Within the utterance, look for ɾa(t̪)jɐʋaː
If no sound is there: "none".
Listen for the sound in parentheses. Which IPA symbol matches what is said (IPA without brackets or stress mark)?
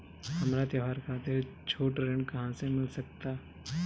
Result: t̪